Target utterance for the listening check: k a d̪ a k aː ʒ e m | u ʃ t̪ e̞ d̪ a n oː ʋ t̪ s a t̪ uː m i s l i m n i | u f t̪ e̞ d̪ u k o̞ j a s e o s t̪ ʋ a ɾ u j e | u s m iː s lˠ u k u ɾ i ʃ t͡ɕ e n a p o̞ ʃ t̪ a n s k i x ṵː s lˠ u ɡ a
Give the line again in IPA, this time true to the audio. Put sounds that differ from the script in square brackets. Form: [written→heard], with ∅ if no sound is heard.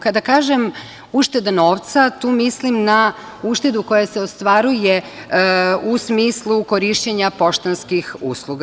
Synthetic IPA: k a d̪ a k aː ʒ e m | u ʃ t̪ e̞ d̪ a n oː ʋ t̪ s a t̪ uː m i s l i m n [i→a] | u [f→ʃ] t̪ e̞ d̪ u k o̞ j a s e o s t̪ ʋ a ɾ u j e | u s m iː s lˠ u k [u→o] ɾ i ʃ t͡ɕ e [n→ɲ] a p o̞ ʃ t̪ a n s k i x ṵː s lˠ u ɡ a

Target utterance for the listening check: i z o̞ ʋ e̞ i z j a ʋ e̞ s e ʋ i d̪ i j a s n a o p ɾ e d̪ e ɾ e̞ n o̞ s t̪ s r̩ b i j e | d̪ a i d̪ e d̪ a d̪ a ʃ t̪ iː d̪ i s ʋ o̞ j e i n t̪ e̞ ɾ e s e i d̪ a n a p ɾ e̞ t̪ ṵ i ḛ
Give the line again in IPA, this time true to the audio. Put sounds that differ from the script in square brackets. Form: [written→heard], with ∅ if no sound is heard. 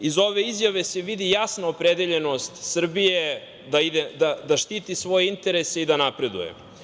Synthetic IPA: i z o̞ ʋ e̞ i z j a ʋ e̞ s e ʋ i d̪ i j a s n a o p ɾ e d̪ e [ɾ→ʎ] e̞ n o̞ s t̪ s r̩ b i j e | d̪ a i d̪ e d̪ a d̪ a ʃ t̪ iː [d̪→t̪] i s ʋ o̞ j e i n t̪ e̞ ɾ e s e i d̪ a n a p ɾ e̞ [t̪→d̪] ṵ [i→j] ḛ

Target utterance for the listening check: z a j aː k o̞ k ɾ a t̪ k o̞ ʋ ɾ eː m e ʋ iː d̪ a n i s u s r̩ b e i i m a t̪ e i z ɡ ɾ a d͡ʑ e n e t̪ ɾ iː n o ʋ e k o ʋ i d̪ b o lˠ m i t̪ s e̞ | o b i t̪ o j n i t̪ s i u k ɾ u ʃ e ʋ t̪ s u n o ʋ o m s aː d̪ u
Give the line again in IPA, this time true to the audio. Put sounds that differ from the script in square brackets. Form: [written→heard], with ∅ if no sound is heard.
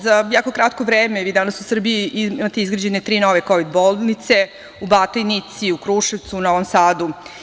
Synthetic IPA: z a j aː k o̞ k ɾ a t̪ k o̞ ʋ ɾ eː m e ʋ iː d̪ a n [i→a] s u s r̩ b [e→i] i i m a t̪ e i z ɡ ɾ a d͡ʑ e n e t̪ ɾ iː n o ʋ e k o ʋ i d̪ b o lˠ [m→n] i t̪ s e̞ | [o→u] b [i→a] t̪ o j n i t̪ s i u k ɾ u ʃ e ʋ t̪ s u n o ʋ o m s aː d̪ u

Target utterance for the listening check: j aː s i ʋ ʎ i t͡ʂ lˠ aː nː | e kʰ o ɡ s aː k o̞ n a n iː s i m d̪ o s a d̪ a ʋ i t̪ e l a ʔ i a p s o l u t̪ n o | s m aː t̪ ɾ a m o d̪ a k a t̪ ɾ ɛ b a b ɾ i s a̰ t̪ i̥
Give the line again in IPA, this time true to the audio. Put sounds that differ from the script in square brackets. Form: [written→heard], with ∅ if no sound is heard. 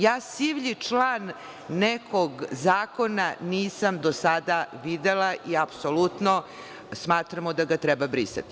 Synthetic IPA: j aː s i ʋ ʎ i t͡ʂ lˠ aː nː | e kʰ o ɡ [s→z] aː k o̞ n a n iː s [i→a] m d̪ o s a d̪ a ʋ i [t̪→d̪] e l a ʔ i a p s o l u t̪ n o | s m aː t̪ ɾ a m o d̪ a [k→ɡ] a t̪ ɾ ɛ b a b ɾ i s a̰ t̪ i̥

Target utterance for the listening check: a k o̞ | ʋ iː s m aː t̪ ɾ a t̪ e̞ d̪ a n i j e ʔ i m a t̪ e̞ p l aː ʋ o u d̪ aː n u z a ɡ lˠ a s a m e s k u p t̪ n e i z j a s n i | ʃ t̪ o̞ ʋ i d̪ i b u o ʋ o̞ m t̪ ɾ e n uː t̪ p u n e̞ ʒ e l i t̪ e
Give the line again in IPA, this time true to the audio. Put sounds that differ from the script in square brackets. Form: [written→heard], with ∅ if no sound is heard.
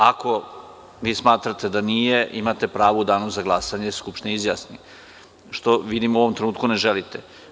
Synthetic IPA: a k o̞ | ʋ iː s m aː t̪ ɾ a t̪ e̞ d̪ a n i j e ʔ i m a t̪ e̞ p [l→ɾ] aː ʋ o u d̪ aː n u z a ɡ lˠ a s a [m→ɲ] e s k u p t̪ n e i z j a s n i | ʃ t̪ o̞ ʋ i d̪ i [b→m] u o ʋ o̞ m t̪ ɾ e n uː t̪ [p→k] u n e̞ ʒ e l i t̪ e

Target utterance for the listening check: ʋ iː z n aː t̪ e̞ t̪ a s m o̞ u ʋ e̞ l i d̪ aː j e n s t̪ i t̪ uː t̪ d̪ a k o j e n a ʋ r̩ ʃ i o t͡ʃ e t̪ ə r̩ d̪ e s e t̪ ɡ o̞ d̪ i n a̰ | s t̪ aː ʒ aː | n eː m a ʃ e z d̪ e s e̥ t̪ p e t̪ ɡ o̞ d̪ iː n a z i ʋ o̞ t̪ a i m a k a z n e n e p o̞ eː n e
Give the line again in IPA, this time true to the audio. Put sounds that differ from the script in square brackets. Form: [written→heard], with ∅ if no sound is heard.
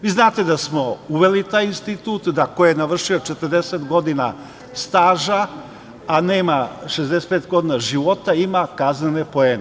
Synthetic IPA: ʋ iː z n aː t̪ e̞ [t̪→d̪] a s m o̞ u ʋ e̞ l i [d̪→t̪] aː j [e→i] n s t̪ i t̪ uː t̪ d̪ a k o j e n a ʋ r̩ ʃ i o t͡ʃ e t̪ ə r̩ d̪ e s e t̪ ɡ o̞ d̪ i n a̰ | s t̪ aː ʒ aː | n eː m a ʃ e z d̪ e s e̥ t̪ p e t̪ ɡ o̞ d̪ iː n a [z→ʒ] i ʋ o̞ t̪ a i m a k a z n e n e p o̞ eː n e

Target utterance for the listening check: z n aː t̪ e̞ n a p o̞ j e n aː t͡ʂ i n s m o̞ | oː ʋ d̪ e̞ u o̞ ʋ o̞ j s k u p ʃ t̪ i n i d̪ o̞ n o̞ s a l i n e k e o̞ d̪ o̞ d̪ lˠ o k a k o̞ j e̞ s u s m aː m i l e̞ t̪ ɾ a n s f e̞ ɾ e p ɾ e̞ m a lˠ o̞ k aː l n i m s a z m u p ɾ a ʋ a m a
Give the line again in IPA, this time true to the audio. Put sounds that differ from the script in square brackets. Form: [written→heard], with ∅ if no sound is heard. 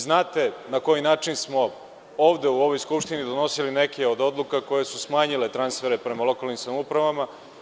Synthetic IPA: z n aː t̪ e̞ n a [p→k] o̞ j [e→i] n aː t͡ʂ i n s m o̞ | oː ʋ d̪ e̞ u o̞ ʋ o̞ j s k u p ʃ t̪ i n i d̪ o̞ n o̞ s [a→i] l i n e k e o̞ d̪ o̞ d̪ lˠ [o→u] k a k o̞ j e̞ s u s m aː [m→ɲ] i l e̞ t̪ ɾ a n s f e̞ ɾ e p ɾ e̞ m a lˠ o̞ k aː l n i m s a [z→∅] m u p ɾ a ʋ a m a

